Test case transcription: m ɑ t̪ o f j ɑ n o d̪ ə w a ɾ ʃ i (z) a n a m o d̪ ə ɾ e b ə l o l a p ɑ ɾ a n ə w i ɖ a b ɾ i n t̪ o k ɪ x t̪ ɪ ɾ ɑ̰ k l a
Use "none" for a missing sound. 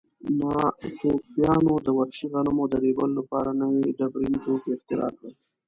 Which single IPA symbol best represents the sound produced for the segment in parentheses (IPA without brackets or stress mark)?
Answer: ɣ